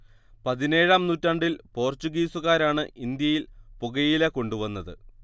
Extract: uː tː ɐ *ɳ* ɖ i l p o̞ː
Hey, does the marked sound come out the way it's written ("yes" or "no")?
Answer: yes